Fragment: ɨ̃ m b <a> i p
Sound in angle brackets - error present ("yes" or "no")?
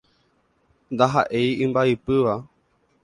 no